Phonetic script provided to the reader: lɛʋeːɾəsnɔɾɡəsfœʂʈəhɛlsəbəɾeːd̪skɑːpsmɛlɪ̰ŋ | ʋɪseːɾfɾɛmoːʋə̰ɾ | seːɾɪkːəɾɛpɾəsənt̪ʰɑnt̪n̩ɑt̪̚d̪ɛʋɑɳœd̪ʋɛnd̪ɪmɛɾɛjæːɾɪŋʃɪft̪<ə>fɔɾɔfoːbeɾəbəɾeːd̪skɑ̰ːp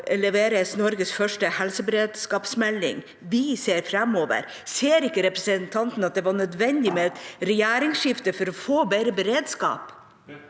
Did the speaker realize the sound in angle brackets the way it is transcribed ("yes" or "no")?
yes